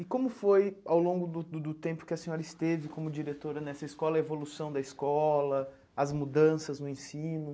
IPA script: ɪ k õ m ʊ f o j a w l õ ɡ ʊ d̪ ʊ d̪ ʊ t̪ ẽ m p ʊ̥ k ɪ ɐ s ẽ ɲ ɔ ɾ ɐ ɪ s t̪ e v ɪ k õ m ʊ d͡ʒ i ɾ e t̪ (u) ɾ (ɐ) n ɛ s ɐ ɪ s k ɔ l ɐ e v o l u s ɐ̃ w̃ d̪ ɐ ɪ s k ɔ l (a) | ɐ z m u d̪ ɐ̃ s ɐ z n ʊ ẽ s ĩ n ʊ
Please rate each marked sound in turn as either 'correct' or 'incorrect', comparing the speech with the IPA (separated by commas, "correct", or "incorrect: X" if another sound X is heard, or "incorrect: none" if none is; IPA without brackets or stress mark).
incorrect: o, correct, incorrect: ɐ